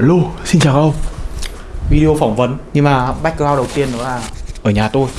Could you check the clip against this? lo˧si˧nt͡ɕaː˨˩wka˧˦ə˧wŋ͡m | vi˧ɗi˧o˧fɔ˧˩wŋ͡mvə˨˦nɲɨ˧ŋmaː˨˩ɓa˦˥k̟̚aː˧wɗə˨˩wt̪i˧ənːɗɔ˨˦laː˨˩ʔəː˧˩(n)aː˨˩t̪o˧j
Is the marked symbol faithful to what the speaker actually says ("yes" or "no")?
no